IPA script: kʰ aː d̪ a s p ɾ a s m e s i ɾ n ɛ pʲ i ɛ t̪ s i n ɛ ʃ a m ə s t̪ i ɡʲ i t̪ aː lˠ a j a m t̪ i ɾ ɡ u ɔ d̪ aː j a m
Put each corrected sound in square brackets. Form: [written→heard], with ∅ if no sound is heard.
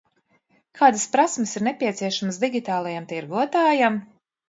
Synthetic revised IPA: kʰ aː d̪ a s p ɾ a s m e s i ɾ n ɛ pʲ i ɛ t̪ s i [n→∅] ɛ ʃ a m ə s [t̪→d̪] i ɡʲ i t̪ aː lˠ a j a m t̪ i ɾ ɡ u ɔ [d̪→t̪] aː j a m

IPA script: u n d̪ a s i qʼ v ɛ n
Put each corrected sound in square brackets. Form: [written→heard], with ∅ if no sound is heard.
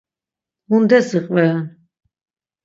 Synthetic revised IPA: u n d̪ [a→ɛ] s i qʼ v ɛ n

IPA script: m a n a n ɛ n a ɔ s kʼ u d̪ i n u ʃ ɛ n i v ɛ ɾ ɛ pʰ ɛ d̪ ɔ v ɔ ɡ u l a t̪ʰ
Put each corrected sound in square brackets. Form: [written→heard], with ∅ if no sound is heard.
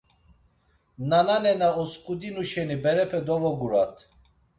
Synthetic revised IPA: [m→n] a n a n ɛ n a ɔ s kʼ u d̪ i n u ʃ ɛ n i [v→b] ɛ ɾ ɛ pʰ ɛ d̪ ɔ v ɔ ɡ u [l→ɾ] a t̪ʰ

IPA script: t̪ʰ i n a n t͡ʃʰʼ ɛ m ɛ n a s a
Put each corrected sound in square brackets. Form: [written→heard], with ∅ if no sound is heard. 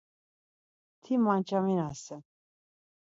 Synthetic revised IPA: t̪ʰ i [n→m] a n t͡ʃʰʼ [ɛ→a] m [ɛ→i] n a s [a→ɛ]

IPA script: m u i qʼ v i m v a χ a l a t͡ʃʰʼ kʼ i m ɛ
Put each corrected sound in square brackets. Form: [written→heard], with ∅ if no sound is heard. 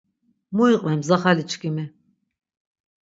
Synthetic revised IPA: m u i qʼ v [i→ɛ] m [v→z] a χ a l [a→i] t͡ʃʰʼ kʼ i m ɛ

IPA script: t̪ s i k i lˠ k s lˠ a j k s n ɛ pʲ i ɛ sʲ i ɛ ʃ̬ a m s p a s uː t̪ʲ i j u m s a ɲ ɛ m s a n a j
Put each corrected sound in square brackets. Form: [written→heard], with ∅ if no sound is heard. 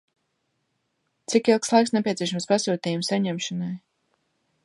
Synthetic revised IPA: t̪ s i k i lˠ k s lˠ a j k s n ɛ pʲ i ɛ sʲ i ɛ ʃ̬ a m s p a s uː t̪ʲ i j u m s a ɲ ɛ m [s→ʃ] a n a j

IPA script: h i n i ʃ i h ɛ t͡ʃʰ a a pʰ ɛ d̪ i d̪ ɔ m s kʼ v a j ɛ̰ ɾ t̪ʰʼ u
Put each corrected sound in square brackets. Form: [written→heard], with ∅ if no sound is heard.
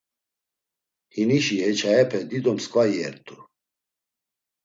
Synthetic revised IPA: h i n i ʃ i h ɛ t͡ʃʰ a [a→ɛ] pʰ ɛ d̪ i d̪ ɔ m s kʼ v a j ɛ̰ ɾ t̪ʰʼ u

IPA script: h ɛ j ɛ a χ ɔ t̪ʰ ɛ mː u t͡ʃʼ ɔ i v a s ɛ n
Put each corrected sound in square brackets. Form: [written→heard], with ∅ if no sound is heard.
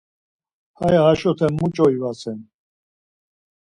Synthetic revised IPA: h [ɛ→a] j [ɛ→a] a [χ→ʃ] ɔ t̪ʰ ɛ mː u t͡ʃʼ ɔ i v a s ɛ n

